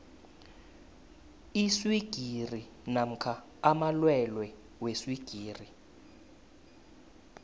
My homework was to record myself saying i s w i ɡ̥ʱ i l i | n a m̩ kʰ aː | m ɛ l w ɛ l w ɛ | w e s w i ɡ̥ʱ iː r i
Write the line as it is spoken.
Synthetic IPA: i s w i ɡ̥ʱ i r i | n a m̩ kʰ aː | m a l w ɛ l w ɛ | w e s w i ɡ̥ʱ iː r i